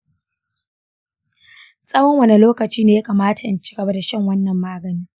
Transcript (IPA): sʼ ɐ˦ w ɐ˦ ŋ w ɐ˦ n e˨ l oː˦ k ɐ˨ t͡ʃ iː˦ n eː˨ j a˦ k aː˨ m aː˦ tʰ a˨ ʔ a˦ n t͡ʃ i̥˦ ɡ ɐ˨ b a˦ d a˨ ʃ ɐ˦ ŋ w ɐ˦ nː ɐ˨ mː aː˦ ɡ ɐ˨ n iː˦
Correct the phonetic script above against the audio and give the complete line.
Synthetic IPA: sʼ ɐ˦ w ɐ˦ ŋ w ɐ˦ n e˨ l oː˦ k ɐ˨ t͡ʃ iː˦ n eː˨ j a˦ k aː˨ m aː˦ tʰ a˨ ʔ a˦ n t͡ʃ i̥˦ ɡ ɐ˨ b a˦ d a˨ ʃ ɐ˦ ŋ w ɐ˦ nː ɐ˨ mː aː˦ ɡ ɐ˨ n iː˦